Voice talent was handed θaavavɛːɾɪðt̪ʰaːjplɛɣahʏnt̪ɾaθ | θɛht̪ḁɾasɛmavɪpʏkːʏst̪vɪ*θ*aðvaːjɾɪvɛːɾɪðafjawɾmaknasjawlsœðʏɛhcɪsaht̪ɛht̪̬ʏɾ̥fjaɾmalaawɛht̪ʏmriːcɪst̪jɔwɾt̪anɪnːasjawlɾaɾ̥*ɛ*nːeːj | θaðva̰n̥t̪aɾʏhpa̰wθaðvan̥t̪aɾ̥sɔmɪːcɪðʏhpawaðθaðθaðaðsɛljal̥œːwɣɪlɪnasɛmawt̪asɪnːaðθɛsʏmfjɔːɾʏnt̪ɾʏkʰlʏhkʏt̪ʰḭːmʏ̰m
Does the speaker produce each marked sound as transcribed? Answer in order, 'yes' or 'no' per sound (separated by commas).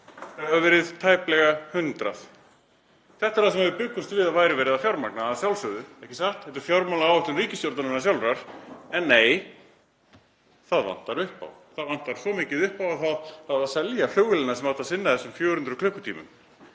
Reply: no, yes